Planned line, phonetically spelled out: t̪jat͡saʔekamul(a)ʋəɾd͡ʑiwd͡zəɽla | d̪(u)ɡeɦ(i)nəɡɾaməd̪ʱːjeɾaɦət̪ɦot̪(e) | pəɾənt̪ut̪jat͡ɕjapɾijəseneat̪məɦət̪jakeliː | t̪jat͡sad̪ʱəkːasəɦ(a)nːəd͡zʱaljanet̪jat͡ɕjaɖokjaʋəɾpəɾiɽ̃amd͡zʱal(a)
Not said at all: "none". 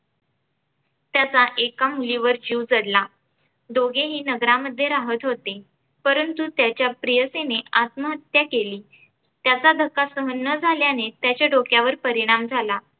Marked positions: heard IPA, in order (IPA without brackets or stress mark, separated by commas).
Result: i, o, iː, e, ə, a